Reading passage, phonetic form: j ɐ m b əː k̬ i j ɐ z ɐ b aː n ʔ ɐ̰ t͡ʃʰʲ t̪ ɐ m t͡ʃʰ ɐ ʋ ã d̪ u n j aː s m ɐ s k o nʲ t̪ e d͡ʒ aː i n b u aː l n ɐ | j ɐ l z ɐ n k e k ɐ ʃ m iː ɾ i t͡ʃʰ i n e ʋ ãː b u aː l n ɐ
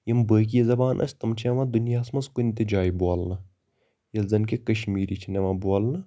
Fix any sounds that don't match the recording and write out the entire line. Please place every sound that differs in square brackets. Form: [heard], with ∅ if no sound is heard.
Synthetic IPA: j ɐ m b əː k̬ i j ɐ z ɐ b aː n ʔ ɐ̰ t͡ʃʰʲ t̪ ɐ m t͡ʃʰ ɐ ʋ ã d̪ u n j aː s m ɐ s k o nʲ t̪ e d͡ʒ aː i [∅] b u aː l n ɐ | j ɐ l z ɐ n k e k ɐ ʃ m iː ɾ i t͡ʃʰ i n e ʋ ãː b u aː l n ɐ